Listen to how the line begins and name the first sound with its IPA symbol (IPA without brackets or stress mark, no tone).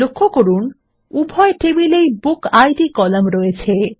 o